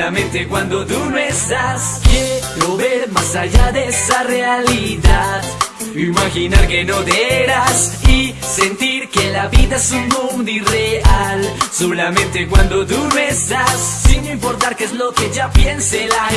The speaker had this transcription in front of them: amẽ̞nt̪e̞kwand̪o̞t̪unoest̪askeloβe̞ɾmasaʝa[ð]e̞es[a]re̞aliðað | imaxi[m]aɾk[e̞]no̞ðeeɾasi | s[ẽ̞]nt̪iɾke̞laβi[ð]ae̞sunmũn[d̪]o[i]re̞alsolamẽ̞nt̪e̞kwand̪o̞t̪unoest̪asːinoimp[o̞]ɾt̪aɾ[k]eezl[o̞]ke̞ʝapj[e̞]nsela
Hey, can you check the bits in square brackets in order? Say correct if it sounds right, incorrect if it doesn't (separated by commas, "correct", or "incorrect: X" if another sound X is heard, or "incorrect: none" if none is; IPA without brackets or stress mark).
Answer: correct, correct, incorrect: n, correct, incorrect: e̞, correct, correct, correct, correct, correct, correct, correct